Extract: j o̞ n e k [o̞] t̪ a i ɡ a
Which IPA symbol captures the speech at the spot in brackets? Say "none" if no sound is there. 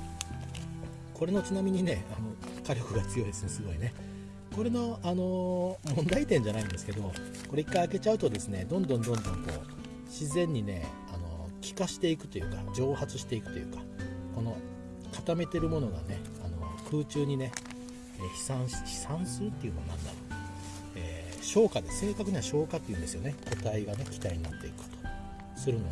o̞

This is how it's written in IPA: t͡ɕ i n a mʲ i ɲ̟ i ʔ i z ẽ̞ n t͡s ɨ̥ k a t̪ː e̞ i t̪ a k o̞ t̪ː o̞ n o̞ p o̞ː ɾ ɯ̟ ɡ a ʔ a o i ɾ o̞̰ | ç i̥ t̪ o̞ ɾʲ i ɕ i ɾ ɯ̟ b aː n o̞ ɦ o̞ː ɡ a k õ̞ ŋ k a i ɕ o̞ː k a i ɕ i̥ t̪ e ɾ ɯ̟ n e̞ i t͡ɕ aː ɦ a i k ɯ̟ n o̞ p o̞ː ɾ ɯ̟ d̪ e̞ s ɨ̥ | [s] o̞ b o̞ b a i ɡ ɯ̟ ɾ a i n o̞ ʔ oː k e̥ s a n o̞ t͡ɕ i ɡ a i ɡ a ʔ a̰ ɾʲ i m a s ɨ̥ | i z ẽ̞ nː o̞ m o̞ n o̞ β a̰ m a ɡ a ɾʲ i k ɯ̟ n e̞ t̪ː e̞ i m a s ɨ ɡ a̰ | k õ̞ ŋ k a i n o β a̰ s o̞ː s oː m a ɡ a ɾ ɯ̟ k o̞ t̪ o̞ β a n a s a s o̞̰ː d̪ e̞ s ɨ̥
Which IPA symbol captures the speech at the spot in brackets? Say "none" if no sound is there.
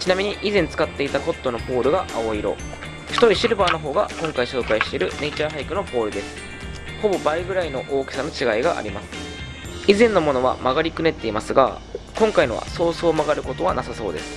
h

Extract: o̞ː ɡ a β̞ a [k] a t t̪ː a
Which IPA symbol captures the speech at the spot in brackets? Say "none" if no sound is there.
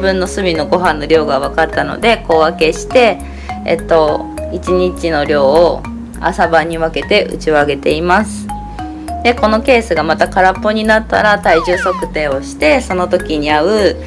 k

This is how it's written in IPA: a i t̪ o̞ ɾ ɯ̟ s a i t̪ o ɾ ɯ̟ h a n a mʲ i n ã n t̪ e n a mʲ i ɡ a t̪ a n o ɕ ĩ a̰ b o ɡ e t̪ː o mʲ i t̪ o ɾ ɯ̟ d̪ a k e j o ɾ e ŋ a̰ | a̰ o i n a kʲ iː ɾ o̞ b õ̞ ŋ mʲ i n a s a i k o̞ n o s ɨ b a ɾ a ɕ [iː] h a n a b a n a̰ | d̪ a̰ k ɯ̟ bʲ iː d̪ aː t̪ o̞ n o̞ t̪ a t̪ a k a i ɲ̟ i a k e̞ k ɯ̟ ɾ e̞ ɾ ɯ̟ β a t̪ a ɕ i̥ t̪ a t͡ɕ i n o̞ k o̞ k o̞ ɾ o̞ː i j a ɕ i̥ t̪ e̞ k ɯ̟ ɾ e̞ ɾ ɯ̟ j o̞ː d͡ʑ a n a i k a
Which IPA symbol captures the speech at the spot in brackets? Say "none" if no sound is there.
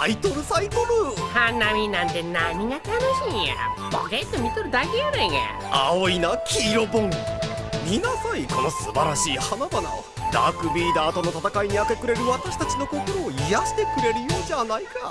iː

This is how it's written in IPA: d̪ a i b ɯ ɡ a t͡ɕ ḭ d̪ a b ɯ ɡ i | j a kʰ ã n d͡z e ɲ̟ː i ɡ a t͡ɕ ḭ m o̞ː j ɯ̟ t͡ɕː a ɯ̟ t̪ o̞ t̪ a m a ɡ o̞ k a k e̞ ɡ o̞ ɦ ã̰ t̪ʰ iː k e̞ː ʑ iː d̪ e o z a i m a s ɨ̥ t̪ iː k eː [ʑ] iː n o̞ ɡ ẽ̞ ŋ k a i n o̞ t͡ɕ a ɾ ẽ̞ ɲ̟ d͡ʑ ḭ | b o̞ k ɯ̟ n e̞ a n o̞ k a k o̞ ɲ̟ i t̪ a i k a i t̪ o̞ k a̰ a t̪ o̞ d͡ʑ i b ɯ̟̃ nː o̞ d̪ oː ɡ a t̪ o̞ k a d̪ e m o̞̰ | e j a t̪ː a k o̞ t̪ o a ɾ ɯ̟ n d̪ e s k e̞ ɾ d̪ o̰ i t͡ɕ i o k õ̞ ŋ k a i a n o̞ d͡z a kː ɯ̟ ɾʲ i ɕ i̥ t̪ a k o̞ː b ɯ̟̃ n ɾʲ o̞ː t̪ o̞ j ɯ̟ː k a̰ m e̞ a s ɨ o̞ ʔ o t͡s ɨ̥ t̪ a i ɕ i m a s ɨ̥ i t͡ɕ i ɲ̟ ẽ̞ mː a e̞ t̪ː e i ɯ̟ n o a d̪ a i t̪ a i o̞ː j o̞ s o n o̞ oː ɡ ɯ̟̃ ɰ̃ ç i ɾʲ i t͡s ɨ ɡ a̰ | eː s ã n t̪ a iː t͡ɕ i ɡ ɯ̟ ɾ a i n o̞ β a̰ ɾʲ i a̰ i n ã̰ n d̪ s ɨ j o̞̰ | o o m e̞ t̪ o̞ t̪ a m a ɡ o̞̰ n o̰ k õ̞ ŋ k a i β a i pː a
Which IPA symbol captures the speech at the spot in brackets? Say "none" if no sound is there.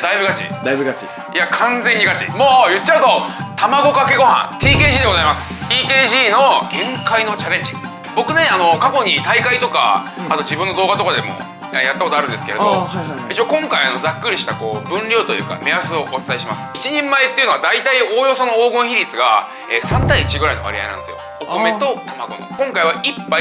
ʑ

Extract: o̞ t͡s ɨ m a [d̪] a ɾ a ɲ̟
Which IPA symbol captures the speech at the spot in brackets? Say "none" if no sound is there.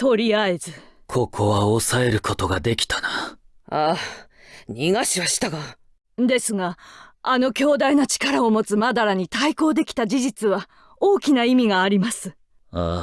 d̪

